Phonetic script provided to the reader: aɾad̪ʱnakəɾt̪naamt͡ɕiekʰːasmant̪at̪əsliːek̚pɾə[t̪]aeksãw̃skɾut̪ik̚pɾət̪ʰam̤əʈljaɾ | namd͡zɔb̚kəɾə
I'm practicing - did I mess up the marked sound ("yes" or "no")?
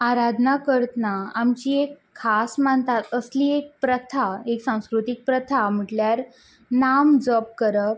yes